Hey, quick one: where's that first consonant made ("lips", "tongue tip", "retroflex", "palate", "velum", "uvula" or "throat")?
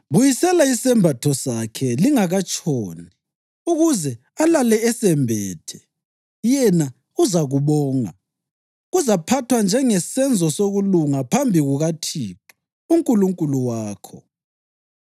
lips